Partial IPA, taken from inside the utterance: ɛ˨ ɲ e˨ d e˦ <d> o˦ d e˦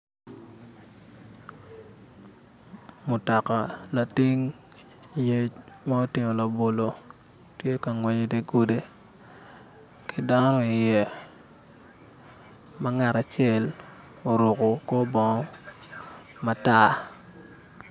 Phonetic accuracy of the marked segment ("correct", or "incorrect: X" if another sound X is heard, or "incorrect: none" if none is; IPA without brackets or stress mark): incorrect: ɡ